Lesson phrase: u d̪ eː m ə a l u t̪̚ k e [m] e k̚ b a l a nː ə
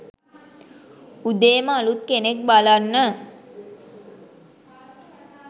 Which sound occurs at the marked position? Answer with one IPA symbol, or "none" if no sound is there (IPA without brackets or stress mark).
n